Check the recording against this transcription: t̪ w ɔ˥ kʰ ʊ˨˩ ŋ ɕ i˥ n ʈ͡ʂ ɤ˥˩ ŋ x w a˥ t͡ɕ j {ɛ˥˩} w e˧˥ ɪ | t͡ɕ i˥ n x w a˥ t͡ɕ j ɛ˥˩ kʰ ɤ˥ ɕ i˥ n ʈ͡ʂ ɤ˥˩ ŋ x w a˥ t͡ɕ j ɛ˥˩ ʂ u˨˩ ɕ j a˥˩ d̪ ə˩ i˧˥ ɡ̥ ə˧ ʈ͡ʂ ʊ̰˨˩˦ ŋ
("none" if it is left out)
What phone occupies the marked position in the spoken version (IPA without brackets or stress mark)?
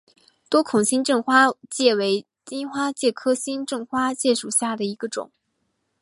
ɛ˥˩